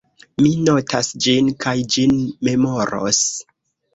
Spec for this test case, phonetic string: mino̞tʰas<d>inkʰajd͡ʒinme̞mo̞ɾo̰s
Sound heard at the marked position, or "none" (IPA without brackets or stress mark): d͡ʒ